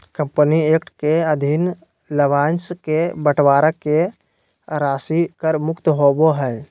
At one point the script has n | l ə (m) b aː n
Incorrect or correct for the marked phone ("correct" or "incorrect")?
incorrect